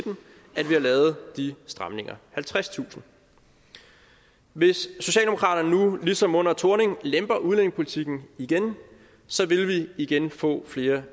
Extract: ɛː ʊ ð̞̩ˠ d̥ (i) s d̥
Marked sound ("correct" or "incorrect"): correct